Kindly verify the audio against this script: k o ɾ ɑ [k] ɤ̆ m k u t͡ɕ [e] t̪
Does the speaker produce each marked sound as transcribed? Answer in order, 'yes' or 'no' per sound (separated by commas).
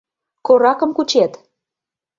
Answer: yes, yes